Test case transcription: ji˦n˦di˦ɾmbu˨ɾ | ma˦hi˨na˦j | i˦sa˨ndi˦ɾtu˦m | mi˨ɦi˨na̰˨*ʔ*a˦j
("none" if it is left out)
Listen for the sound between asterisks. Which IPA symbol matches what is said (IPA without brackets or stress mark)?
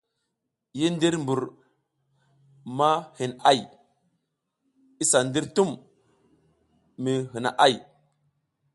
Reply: ʔ